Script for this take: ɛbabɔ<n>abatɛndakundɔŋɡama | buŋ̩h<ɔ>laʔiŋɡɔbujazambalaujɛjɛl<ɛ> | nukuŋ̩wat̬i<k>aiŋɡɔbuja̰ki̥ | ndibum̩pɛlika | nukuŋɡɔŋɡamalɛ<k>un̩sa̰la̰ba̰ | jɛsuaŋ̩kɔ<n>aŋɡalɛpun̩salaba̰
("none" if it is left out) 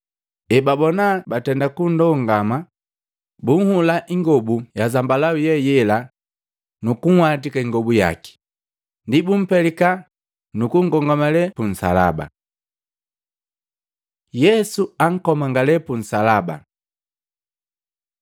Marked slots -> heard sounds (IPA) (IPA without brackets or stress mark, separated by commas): n, u, a, k, p, m